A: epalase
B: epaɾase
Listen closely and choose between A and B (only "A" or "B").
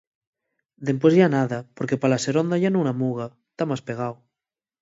A